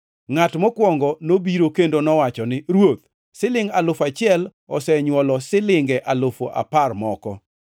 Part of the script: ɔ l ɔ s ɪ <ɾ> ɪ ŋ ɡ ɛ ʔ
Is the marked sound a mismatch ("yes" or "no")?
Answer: yes